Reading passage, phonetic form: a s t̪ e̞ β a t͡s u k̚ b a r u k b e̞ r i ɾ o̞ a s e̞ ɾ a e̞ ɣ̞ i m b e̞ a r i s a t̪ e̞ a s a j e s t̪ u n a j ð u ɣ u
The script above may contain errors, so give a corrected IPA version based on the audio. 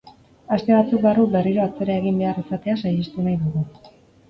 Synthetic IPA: a s t̪ e̞ β a t͡s u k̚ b a r u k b e̞ r i ɾ o̞ a t͡s e̞ ɾ a e̞ ɣ̞ i m b e̞ a r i s a t̪ e̞ a s a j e s t̪ u n a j ð u ɣ u